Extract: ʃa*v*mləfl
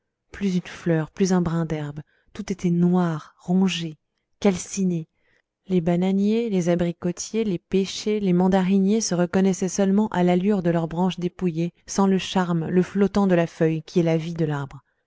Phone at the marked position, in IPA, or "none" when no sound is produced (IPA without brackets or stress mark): ʁ